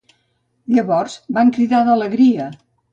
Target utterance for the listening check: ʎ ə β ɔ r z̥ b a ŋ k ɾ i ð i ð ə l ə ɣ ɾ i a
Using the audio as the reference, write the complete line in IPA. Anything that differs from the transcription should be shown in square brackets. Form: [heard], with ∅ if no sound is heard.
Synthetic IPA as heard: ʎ ə β ɔ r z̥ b a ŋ k ɾ i ð [a] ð ə l ə ɣ ɾ i [ə]